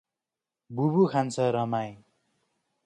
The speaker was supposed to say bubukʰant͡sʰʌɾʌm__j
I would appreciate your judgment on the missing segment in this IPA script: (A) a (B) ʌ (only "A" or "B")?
A